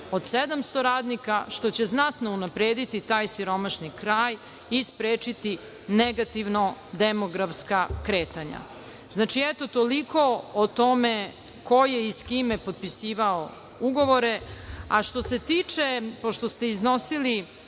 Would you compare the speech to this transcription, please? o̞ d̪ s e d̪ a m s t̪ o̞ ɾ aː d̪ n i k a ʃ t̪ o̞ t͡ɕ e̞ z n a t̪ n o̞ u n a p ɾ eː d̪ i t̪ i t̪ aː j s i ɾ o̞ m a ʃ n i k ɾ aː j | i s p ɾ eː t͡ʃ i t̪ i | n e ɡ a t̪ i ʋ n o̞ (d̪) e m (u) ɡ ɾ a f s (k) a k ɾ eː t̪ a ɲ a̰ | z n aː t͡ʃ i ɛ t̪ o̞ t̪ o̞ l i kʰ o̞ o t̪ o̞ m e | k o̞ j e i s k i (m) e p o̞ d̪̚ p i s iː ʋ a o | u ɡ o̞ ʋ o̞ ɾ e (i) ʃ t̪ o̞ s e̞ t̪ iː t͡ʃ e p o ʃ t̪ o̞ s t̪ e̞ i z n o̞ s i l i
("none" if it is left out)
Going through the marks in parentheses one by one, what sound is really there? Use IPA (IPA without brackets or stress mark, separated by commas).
d̪, o, k, m, a